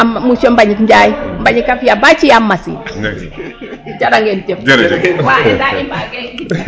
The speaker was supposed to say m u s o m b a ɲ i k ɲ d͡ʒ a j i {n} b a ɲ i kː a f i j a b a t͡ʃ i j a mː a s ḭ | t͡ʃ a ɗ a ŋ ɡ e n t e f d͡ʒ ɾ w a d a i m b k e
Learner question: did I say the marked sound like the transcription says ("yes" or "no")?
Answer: no